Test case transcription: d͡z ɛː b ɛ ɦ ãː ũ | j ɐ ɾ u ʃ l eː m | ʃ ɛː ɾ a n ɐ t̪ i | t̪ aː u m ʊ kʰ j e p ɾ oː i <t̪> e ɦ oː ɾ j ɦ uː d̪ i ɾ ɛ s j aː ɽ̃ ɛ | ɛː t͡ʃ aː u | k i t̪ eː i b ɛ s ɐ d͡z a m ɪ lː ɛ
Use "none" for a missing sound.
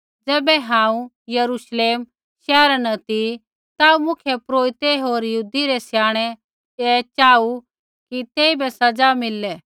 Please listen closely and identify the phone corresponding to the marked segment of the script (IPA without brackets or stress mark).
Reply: t̪